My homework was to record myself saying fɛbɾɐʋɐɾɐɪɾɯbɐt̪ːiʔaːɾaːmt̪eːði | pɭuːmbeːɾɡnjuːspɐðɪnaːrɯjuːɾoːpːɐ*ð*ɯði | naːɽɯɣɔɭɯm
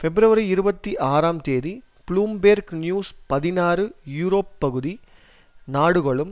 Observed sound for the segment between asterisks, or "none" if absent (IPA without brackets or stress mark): ɣ